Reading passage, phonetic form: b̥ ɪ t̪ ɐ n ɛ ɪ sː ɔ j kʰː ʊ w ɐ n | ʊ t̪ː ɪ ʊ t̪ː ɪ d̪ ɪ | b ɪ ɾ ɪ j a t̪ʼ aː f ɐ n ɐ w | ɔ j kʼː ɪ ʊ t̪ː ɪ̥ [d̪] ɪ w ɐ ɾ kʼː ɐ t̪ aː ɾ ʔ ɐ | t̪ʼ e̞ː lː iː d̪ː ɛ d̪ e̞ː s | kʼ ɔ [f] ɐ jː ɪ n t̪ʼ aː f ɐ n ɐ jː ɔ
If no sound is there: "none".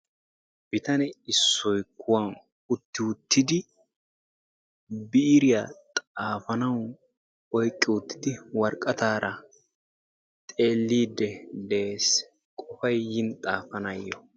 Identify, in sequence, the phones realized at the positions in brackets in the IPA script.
d̪, f

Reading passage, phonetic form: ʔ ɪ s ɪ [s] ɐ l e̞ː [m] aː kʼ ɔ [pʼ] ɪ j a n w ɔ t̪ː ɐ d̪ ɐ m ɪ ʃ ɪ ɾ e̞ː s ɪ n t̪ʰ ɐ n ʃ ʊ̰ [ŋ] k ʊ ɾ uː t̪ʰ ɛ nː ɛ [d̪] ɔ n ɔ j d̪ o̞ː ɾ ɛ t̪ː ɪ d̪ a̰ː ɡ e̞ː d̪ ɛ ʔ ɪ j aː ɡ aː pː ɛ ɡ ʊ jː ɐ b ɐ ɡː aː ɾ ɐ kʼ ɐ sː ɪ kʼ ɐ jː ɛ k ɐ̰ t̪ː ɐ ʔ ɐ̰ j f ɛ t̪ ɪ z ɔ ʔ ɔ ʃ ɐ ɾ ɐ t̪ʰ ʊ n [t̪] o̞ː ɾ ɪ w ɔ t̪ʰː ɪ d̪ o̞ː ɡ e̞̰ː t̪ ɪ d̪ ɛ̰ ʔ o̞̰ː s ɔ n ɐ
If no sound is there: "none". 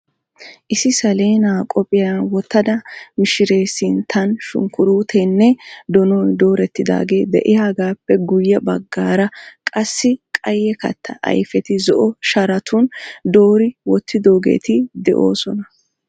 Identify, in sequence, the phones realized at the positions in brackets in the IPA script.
s, n, pʼ, ŋ, d̪, d̪

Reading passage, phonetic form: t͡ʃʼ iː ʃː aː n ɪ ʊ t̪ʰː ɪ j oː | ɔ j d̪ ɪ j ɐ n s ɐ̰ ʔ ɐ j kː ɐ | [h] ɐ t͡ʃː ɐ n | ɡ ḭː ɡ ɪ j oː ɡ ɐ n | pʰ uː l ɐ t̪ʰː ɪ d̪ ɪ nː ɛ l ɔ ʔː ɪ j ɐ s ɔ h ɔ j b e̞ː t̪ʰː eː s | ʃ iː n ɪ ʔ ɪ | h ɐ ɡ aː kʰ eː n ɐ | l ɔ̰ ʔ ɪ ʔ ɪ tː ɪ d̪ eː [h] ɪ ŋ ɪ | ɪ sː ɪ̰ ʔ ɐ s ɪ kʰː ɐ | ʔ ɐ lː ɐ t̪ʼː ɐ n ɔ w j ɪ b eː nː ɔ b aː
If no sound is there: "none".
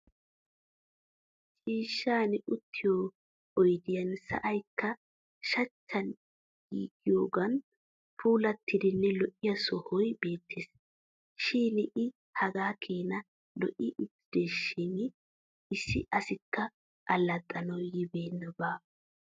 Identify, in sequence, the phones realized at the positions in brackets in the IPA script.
ʃ, ʃ

